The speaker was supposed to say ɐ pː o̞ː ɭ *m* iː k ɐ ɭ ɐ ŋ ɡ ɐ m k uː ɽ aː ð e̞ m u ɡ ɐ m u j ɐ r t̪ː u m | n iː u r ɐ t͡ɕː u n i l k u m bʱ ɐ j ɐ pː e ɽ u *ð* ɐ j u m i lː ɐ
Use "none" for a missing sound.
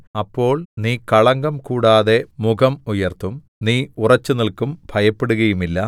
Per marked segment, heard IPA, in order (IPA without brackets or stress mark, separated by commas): n, ɣ